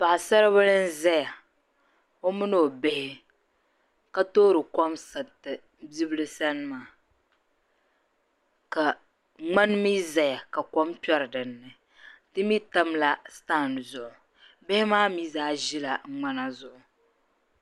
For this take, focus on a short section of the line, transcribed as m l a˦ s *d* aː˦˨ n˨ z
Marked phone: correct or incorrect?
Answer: incorrect